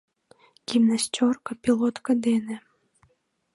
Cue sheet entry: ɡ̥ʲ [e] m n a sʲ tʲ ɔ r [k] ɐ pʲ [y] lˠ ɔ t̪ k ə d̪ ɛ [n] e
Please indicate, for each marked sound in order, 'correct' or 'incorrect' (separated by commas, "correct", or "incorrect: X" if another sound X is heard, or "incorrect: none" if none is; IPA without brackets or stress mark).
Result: incorrect: i, correct, incorrect: i, correct